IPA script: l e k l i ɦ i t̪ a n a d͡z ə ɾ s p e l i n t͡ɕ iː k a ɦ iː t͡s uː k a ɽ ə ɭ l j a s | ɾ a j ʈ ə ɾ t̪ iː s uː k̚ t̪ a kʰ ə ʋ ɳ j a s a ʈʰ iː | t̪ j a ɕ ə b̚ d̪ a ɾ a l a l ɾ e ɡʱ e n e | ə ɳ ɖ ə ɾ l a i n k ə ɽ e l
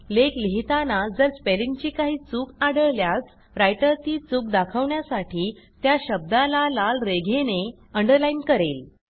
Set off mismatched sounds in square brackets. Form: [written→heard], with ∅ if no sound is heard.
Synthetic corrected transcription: l e k l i ɦ i t̪ a n a d͡z ə ɾ s p e l i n t͡ɕ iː k a ɦ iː t͡s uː k a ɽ ə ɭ l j a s | ɾ a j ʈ ə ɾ t̪ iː [s→t͡s] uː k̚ [t̪→d̪] a kʰ ə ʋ ɳ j a s a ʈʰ iː | t̪ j a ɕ ə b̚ d̪ a [ɾ→l] a l a l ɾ e ɡʱ e n e | ə ɳ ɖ ə ɾ l a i n k ə [ɽ→ɾ] e l